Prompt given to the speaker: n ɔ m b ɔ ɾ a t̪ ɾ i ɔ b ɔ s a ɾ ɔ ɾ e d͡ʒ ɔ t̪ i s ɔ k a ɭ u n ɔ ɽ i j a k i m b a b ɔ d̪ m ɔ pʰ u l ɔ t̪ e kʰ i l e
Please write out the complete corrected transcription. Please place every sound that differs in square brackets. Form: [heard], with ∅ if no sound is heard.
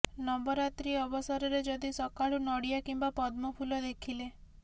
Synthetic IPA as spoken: n ɔ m b ɔ ɾ a t̪ ɾ i ɔ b ɔ s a ɾ ɔ ɾ e d͡ʒ ɔ [d̪] i s ɔ k a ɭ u n ɔ ɽ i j a k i m b a [p] ɔ d̪ m ɔ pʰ u l ɔ [d̪] e kʰ i l e